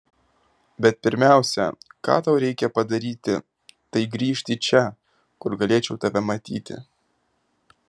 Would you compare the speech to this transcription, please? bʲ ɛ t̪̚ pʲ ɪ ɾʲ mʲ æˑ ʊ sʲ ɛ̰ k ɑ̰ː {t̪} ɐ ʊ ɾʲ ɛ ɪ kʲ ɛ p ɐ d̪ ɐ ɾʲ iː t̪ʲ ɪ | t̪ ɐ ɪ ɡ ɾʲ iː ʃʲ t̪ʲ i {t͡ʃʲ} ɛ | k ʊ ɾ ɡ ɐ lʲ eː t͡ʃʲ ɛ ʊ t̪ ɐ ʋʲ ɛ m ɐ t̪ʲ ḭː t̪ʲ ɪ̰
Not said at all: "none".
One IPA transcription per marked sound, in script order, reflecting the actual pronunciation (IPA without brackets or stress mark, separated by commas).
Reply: t̪, t͡ʃʲ